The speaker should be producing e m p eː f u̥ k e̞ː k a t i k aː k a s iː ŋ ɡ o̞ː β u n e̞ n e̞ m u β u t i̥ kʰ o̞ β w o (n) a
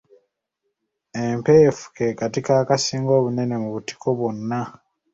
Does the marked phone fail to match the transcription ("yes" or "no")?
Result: yes